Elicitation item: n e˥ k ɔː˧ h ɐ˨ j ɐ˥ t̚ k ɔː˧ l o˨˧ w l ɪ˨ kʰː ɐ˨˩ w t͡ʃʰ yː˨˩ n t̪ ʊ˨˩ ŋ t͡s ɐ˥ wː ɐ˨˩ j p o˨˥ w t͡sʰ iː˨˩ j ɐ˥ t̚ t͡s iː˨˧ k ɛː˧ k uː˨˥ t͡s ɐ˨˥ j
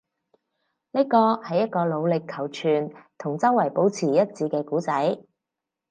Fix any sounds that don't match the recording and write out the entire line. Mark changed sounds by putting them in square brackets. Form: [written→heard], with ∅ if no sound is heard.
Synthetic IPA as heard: n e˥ k ɔː˧ h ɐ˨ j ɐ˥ t̚ k ɔː˧ l o˨˧ w l ɪ˨ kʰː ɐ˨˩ w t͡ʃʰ yː˨˩ n [t̪→t̪ʰ] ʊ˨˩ ŋ t͡s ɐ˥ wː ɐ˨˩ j p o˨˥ w t͡sʰ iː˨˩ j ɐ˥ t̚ t͡s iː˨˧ k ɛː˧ k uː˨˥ t͡s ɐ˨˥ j